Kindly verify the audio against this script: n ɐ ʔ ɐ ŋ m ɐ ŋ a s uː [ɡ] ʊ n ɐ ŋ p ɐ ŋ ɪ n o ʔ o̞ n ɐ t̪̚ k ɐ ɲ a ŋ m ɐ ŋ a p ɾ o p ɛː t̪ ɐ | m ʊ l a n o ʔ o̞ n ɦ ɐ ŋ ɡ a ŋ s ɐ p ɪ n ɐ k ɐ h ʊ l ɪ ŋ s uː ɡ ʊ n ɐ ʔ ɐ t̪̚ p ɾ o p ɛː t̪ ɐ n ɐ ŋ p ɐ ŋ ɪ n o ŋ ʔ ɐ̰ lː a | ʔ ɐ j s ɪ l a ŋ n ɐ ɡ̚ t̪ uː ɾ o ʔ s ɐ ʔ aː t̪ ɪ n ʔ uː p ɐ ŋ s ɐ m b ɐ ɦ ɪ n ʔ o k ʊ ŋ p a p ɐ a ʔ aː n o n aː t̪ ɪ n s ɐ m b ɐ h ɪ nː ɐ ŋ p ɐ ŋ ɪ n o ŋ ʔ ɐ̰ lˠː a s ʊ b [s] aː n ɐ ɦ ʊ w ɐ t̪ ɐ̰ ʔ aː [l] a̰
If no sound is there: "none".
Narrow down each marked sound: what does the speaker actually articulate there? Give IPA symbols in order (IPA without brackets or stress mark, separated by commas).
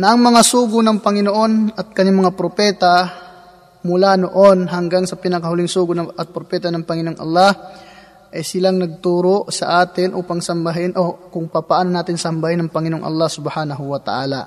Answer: ɡ, h, l